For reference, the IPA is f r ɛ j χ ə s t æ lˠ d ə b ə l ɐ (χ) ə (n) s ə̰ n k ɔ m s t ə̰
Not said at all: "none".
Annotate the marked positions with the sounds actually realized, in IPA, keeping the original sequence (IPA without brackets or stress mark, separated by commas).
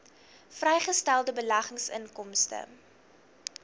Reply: χ, ŋ